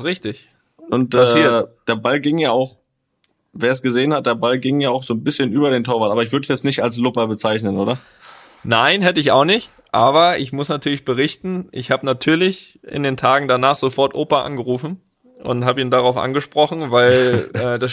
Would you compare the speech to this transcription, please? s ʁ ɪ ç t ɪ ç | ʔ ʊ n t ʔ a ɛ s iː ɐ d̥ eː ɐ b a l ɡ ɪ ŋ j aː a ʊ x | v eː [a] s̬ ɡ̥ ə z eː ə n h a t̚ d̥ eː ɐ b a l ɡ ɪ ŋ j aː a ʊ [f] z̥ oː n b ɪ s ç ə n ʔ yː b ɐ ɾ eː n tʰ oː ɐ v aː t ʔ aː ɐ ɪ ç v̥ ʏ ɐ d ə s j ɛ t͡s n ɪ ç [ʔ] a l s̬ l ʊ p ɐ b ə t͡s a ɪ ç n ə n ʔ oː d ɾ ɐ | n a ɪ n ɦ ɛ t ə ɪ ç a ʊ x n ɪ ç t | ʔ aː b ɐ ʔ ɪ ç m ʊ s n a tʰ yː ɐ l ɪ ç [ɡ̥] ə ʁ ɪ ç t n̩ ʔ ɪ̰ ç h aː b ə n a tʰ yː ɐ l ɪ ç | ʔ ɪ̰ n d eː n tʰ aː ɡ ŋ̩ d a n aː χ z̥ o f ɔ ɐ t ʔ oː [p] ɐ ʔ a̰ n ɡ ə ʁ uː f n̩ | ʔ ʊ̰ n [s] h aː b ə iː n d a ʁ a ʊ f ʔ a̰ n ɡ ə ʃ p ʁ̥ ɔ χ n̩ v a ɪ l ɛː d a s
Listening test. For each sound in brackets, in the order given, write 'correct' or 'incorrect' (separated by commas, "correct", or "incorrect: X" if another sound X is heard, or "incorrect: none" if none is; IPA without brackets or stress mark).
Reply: incorrect: ɐ, incorrect: x, incorrect: t, incorrect: b̥, correct, incorrect: t